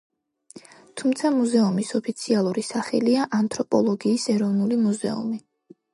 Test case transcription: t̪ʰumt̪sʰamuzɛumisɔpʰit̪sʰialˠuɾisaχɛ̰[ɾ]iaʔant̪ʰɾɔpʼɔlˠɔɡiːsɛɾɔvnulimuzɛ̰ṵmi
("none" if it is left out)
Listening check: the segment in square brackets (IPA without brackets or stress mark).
l